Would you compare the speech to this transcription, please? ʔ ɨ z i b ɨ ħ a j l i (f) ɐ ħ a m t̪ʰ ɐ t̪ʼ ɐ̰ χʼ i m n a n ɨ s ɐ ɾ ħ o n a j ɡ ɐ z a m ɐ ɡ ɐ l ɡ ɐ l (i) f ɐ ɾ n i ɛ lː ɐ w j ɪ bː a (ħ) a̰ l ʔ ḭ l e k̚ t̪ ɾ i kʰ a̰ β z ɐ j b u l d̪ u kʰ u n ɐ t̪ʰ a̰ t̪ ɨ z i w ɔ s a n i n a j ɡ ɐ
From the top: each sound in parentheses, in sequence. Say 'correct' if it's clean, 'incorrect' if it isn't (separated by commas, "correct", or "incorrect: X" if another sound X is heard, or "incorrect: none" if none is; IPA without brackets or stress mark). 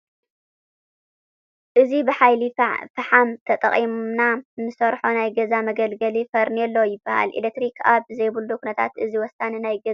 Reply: correct, correct, incorrect: h